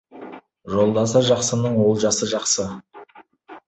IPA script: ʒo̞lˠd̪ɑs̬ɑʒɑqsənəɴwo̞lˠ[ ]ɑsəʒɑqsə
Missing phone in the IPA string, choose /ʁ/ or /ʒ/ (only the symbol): ʒ